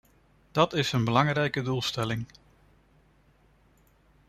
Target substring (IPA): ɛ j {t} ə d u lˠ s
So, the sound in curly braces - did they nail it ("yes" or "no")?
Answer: no